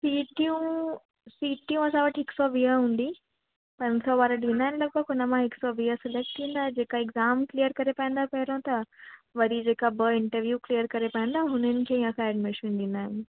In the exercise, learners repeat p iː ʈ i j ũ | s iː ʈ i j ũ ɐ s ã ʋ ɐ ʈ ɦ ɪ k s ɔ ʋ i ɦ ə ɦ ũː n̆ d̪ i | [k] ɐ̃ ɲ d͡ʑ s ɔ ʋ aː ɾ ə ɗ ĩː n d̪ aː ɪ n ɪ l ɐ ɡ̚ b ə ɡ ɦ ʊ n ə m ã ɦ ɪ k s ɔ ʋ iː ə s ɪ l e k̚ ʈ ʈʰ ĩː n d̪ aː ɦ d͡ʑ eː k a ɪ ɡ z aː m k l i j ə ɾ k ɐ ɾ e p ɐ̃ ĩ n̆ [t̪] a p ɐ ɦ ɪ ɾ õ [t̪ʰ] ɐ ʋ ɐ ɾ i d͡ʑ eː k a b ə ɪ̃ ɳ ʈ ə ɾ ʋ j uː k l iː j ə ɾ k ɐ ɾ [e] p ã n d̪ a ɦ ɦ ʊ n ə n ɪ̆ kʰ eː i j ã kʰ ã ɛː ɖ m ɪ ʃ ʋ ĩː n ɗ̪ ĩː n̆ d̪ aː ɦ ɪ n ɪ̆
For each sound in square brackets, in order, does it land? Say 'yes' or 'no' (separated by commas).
no, no, no, yes